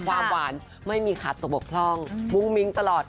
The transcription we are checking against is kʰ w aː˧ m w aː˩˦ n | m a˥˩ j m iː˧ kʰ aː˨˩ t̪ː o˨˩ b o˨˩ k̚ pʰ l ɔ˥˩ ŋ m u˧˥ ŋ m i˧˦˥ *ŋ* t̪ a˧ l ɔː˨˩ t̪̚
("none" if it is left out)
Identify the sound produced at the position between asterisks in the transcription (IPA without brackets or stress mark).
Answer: ŋ